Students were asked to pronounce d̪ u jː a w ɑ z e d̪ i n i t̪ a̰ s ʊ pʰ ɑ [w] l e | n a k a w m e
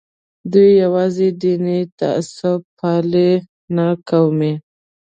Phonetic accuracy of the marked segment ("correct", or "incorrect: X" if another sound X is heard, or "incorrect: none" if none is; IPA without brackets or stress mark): incorrect: none